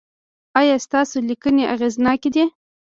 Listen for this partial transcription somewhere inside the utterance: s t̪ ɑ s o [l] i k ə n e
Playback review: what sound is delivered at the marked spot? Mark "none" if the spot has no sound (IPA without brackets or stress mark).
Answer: l